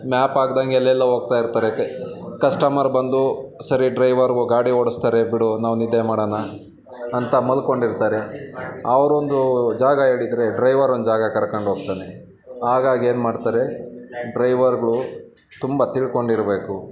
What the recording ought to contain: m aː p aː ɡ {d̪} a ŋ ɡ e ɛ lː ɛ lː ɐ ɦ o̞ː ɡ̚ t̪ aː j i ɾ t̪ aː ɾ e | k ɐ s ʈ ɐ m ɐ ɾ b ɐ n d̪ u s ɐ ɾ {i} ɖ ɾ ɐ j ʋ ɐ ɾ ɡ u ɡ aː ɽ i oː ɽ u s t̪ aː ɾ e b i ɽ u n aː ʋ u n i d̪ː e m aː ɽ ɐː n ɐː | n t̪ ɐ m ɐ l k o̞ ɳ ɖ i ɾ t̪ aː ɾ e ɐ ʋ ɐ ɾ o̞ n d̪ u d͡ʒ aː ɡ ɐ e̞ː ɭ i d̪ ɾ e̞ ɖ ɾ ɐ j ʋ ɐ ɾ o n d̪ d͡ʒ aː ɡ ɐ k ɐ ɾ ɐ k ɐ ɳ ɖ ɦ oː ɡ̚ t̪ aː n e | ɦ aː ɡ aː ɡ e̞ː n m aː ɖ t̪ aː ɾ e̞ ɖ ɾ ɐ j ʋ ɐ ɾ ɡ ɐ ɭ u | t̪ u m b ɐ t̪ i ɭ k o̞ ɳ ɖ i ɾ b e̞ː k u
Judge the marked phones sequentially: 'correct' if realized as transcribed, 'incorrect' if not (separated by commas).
correct, correct